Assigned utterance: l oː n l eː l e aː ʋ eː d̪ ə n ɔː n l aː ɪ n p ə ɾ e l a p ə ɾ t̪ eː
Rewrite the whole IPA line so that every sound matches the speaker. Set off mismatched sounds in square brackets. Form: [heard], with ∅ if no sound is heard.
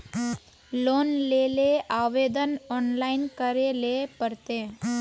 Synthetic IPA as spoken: l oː n l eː l e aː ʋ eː d̪ ə n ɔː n l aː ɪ n [k] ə ɾ e l [e] p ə ɾ t̪ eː